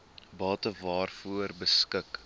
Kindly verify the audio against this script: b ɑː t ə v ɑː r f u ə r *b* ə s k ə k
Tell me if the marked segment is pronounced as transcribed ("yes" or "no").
yes